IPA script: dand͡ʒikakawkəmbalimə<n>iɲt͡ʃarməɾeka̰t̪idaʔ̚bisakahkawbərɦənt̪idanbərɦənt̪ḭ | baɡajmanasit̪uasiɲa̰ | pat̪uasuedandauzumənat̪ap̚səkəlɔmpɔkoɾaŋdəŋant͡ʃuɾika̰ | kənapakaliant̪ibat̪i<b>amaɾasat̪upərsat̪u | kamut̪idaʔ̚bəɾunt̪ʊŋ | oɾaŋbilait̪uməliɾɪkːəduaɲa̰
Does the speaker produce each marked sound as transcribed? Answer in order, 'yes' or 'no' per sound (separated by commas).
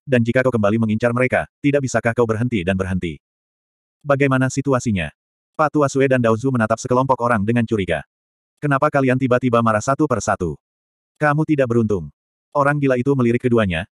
no, yes